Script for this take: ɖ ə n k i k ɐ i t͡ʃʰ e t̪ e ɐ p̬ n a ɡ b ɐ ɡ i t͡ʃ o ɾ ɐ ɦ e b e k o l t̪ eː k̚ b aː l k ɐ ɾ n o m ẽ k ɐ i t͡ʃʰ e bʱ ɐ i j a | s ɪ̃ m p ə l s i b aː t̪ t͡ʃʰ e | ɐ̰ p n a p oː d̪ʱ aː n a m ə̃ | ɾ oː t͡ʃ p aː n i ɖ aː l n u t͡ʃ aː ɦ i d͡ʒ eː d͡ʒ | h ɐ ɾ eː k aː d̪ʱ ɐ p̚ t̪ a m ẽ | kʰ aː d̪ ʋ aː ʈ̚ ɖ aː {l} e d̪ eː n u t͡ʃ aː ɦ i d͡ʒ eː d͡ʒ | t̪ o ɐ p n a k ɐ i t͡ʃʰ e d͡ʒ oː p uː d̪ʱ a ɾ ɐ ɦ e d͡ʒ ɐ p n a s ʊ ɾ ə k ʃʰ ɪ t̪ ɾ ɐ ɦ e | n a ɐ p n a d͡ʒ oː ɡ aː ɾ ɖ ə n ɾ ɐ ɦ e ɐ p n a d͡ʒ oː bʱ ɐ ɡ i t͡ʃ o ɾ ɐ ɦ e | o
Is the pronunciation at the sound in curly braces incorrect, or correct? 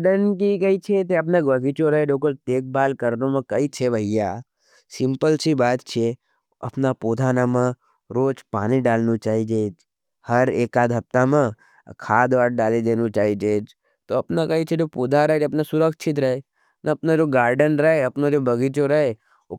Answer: correct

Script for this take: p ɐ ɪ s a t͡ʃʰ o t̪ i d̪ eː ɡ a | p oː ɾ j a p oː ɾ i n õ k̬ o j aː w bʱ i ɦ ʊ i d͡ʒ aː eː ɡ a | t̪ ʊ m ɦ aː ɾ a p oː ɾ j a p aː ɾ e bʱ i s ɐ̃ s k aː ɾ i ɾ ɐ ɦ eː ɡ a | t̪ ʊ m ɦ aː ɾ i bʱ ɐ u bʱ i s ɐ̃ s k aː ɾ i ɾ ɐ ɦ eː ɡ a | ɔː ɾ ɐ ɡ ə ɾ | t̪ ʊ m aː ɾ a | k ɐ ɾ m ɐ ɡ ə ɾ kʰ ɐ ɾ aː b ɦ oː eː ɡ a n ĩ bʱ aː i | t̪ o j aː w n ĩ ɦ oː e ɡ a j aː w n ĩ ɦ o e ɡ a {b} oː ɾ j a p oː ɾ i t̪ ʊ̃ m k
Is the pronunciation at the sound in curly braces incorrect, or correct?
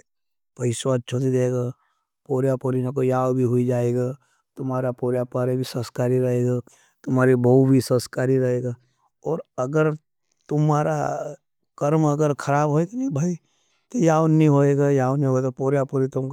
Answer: incorrect: p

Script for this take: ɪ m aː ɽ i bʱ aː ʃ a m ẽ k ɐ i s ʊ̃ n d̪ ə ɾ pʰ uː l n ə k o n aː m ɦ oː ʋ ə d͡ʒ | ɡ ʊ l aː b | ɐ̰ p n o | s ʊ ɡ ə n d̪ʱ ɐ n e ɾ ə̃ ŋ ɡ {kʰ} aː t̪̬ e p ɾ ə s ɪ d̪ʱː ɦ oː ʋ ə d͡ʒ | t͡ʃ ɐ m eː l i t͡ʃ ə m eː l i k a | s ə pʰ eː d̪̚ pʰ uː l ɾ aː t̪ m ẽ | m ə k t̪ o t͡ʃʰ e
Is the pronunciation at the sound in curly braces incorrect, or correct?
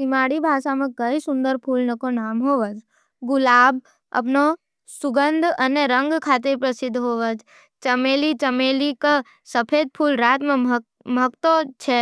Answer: correct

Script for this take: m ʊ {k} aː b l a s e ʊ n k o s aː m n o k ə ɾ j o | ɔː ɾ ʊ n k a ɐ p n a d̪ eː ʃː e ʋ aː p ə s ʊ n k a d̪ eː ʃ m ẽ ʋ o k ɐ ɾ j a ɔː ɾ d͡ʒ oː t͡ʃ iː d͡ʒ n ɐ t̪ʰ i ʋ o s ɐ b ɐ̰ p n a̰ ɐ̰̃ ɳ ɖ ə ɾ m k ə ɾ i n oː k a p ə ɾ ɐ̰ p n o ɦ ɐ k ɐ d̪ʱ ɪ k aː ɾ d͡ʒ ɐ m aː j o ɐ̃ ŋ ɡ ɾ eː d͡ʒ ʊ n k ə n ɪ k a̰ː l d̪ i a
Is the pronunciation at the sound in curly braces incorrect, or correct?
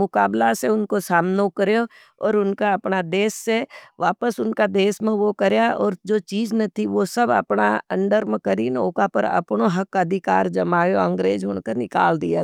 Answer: correct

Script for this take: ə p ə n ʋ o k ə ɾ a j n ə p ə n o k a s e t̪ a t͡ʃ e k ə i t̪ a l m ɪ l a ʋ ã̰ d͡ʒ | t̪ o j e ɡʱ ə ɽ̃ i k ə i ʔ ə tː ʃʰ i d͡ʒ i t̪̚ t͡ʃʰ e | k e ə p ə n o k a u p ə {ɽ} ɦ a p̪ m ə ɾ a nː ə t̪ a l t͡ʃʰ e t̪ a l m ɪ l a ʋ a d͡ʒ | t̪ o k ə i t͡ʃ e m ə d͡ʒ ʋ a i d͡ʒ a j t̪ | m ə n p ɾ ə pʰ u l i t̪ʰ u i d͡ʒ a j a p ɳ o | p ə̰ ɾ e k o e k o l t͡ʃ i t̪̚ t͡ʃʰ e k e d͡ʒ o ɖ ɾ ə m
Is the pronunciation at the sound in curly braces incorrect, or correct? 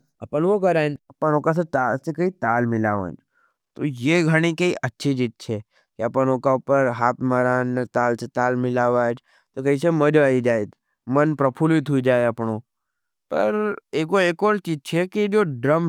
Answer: incorrect: ɾ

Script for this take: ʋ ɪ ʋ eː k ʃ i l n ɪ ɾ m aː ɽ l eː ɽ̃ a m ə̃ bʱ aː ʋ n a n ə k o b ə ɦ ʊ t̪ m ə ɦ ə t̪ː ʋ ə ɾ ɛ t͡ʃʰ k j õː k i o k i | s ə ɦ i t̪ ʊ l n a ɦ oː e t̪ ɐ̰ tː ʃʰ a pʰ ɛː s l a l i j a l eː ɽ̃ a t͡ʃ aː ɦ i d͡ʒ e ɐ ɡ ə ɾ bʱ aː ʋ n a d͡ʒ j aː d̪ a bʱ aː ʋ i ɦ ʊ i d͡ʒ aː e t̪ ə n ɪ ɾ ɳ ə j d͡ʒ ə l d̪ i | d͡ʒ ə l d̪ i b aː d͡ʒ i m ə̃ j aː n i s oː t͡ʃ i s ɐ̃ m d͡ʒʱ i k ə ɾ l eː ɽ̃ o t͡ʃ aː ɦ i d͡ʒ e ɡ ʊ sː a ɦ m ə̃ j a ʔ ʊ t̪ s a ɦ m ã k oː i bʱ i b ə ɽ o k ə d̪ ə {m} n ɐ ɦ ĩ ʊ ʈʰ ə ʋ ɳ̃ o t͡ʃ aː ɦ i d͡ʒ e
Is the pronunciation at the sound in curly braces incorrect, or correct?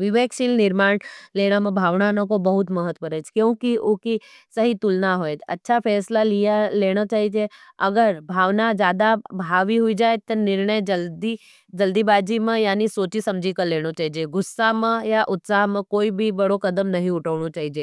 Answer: correct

